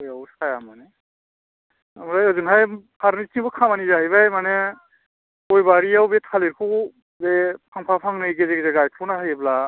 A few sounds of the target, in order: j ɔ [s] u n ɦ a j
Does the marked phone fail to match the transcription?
yes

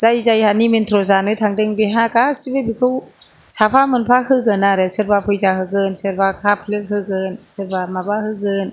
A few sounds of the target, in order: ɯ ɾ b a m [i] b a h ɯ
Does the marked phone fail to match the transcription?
yes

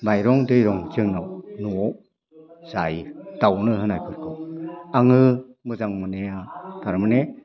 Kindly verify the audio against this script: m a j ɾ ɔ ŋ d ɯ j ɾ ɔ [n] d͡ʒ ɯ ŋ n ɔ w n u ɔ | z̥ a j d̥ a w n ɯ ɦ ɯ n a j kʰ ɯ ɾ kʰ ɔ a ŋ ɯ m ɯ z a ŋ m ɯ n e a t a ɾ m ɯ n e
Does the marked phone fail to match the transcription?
yes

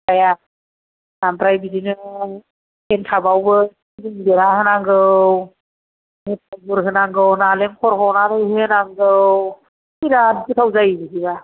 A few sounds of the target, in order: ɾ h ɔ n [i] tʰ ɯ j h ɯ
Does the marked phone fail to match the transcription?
yes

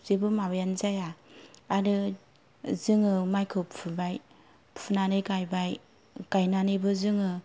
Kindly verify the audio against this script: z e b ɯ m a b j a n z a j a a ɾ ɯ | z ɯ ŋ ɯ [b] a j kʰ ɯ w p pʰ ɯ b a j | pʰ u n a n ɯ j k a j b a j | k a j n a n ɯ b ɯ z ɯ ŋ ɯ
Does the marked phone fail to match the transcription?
yes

